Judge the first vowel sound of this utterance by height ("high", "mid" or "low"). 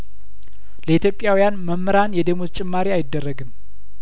mid